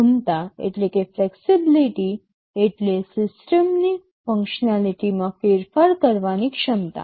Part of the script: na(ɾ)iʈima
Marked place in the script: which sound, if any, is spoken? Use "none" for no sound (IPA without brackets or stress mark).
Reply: l